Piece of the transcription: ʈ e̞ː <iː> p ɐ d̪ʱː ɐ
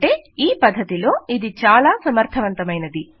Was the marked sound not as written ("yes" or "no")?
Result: no